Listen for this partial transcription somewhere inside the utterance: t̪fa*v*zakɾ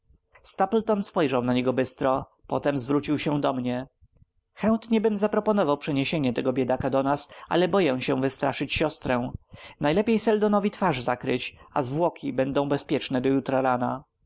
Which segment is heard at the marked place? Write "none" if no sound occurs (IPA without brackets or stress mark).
ʐ